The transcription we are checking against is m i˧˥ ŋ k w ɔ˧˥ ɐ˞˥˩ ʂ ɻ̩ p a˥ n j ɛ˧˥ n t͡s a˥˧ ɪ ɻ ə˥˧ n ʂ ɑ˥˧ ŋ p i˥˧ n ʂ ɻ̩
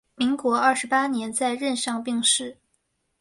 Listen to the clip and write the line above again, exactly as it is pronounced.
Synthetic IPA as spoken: m i˧˥ ŋ k w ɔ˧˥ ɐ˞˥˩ ʂ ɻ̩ p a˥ n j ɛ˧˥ n t͡s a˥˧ ɪ ɻ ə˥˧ n ʂ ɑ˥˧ ŋ p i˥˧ ŋ ʂ ɻ̩